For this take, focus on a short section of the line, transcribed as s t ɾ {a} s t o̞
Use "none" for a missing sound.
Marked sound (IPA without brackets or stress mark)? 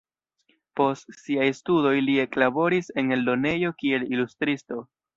i